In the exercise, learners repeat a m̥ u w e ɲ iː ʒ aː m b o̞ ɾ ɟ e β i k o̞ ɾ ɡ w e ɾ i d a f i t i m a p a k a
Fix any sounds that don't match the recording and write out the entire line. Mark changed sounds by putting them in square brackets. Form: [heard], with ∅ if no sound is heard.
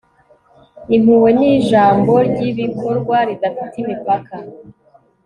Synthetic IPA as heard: [i] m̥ u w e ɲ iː ʒ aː m b o̞ ɾ ɟ [i] β i k o̞ ɾ ɡ w [a] ɾ i d a f i t i m [i] p a k a